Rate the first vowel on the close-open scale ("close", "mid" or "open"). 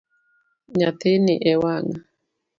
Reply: open